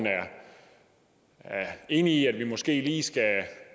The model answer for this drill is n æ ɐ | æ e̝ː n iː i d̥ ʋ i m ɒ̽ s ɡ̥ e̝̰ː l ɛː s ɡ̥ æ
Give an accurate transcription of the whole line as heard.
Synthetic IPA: n æ ɐ | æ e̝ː n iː æ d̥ ʋ i m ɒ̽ s ɡ̥ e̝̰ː l iː s ɡ̥ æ